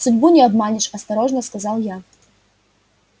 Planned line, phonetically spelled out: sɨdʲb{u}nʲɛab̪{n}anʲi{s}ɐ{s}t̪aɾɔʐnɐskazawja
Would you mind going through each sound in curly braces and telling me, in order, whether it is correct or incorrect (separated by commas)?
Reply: correct, incorrect, incorrect, correct